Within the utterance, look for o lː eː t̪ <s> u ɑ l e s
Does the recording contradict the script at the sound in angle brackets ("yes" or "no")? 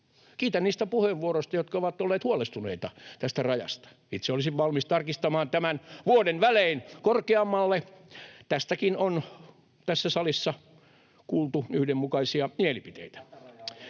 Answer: yes